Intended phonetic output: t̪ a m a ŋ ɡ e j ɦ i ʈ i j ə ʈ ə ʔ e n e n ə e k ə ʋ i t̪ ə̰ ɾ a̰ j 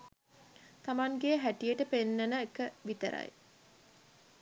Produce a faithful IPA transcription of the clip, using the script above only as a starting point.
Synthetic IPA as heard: t̪ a m a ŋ ɡ e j ɦ æ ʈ i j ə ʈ ə p e nː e n ə e k ə ʋ i t̪ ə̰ ɾ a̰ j